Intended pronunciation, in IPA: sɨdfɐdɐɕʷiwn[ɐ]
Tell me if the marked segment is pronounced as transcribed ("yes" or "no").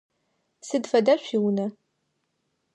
yes